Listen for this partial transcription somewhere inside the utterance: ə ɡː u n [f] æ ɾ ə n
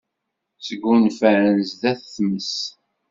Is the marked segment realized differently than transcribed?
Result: no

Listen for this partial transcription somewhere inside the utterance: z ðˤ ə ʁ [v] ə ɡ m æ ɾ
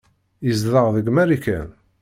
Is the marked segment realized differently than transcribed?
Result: yes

